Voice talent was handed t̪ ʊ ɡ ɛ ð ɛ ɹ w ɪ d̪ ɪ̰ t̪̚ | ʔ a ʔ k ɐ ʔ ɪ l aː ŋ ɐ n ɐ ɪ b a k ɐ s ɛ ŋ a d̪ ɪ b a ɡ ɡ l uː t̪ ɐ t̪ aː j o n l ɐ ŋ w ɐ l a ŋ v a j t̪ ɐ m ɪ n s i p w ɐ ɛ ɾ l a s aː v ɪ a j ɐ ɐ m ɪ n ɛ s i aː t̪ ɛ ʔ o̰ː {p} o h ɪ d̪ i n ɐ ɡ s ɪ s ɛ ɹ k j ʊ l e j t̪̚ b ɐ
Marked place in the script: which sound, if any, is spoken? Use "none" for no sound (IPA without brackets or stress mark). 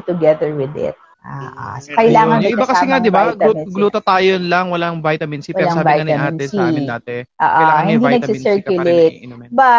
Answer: ʔ